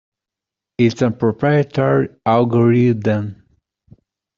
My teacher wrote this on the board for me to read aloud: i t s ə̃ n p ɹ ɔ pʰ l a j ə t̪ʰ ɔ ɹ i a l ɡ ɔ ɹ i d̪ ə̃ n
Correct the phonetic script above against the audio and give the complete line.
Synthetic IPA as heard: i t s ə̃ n p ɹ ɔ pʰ ɹ a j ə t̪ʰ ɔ ɹ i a l ɡ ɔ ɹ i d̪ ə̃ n